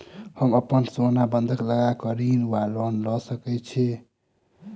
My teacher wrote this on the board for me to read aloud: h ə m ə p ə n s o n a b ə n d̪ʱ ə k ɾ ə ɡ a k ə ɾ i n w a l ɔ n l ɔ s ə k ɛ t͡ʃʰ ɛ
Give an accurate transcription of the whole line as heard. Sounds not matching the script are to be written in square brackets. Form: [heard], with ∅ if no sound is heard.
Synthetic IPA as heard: h ə m ə p ə n s o n a b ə n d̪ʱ ə k [l] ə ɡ a k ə ɾ i n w a l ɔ n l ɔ s ə k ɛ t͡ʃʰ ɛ